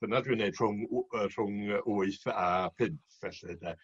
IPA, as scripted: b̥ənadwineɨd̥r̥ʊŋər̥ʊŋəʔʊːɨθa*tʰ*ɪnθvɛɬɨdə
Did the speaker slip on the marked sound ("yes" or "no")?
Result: yes